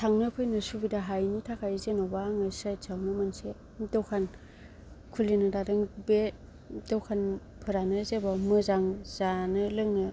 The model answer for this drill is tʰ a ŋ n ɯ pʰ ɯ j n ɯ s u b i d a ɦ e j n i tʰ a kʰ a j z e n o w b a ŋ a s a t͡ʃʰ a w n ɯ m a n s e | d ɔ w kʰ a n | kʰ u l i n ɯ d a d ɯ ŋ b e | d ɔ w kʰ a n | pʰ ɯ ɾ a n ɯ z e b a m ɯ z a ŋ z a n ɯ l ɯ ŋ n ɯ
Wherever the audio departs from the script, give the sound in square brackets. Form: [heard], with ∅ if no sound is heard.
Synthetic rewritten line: tʰ a ŋ n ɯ pʰ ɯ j n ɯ s u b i d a ɦ [a] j n i tʰ a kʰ a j z e n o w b a ŋ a s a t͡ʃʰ a w n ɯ m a n s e | d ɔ w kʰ a n | kʰ u l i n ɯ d a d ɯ ŋ b e | d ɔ w kʰ a n | pʰ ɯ ɾ a n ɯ z e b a m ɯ z a ŋ z a n ɯ l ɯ ŋ n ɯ